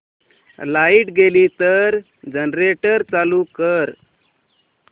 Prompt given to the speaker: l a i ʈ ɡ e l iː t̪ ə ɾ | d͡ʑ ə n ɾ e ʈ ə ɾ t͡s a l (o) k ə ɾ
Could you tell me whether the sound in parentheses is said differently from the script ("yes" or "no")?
yes